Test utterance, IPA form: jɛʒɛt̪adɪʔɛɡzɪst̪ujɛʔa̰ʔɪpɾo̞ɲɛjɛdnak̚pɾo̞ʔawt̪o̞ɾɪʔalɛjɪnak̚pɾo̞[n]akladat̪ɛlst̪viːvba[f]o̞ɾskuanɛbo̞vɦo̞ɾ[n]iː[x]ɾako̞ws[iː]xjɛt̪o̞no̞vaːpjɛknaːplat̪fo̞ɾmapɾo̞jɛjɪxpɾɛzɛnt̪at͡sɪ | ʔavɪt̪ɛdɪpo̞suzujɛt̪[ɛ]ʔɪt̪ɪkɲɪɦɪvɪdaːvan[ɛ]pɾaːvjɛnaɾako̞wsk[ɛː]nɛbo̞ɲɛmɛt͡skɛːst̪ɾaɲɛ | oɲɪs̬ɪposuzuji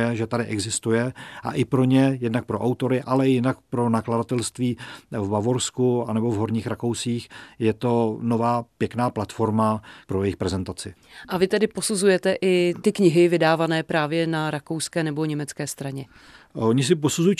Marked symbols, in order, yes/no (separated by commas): yes, no, no, yes, yes, yes, no, yes